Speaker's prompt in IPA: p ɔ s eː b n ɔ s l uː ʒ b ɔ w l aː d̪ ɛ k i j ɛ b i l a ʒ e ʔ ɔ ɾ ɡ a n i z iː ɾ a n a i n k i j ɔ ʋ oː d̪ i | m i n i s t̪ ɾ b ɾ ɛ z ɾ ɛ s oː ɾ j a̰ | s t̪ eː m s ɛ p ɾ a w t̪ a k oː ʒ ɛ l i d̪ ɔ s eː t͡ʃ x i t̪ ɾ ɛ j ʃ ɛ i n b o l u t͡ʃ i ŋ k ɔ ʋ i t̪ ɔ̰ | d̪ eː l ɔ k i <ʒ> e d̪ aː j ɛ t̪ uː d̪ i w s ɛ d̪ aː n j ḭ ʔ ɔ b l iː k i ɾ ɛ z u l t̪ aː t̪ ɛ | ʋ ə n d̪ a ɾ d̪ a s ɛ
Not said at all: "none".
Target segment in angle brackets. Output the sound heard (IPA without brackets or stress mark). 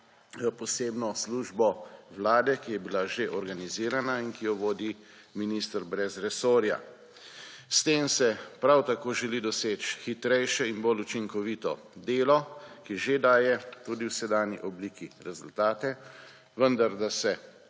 ʒ